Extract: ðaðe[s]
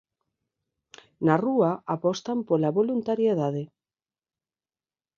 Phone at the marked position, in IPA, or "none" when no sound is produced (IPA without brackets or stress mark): none